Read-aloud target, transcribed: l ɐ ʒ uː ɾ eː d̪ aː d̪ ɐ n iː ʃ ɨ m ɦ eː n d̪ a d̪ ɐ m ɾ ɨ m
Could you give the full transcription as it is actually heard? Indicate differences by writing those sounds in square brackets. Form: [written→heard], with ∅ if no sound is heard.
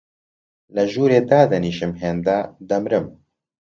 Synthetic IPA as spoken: l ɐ ʒ uː ɾ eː d̪ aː d̪ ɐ n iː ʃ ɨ m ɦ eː n d̪ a d̪ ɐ m ɾ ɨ m